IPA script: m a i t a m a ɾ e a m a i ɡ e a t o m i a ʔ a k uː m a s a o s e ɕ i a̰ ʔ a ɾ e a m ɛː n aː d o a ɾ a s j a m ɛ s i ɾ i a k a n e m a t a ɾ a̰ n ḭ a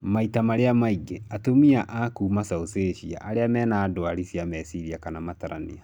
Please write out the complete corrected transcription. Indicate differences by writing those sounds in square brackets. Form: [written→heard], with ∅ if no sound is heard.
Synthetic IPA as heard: m a i t a m a ɾ e a m a i ɡ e a t o m i a ʔ a k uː m a s a o s e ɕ i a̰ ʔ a ɾ e a m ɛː n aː d o a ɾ [a→i] s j a m ɛ s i ɾ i a k a n [e→a] m a t a ɾ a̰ n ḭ a